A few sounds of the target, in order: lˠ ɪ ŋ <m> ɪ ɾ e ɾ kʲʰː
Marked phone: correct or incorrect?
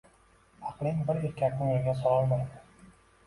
incorrect: b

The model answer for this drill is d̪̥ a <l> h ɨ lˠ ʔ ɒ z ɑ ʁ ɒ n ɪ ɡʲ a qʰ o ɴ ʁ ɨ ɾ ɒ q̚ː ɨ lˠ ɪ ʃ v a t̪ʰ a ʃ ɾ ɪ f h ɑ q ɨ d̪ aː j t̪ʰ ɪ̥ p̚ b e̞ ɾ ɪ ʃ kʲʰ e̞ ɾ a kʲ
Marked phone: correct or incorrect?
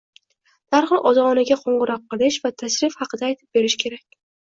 incorrect: ɾ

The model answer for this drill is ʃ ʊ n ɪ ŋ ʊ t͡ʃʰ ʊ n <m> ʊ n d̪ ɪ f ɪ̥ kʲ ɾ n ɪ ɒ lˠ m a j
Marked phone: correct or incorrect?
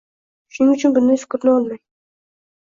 incorrect: b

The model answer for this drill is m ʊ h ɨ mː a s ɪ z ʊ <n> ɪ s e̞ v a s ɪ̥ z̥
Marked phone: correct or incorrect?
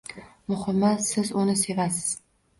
correct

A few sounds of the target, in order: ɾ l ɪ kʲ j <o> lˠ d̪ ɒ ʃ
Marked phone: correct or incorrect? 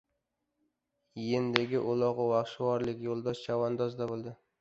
correct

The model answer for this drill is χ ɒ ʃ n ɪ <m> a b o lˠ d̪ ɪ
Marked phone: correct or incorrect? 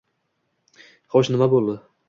correct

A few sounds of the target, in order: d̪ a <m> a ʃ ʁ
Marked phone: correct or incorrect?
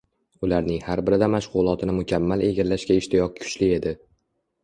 correct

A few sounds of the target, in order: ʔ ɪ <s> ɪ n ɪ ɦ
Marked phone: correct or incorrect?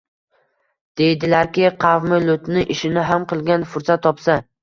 incorrect: ʃ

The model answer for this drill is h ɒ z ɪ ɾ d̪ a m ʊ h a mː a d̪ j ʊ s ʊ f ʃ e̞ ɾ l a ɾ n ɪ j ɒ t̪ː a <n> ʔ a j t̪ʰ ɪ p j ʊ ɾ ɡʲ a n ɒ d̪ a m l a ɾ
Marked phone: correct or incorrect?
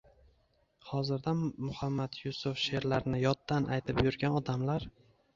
correct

